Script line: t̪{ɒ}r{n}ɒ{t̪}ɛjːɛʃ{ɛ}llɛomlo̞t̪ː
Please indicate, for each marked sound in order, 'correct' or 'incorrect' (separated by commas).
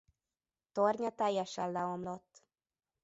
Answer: incorrect, incorrect, correct, correct